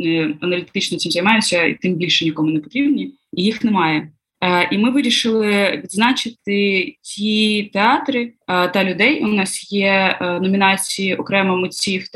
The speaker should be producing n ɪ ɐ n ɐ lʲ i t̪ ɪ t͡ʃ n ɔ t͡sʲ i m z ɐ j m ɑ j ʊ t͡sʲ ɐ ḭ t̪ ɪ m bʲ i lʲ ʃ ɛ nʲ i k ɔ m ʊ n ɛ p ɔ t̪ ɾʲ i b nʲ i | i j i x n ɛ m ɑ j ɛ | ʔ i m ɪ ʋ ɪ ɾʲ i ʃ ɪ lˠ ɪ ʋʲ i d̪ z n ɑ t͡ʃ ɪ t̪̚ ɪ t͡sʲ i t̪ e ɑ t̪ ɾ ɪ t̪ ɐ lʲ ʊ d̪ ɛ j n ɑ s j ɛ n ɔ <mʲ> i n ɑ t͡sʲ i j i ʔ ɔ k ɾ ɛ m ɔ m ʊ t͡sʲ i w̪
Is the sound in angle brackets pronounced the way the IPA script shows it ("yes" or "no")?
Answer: yes